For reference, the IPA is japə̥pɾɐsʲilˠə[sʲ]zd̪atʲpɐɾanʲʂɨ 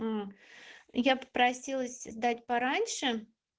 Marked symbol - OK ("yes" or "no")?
yes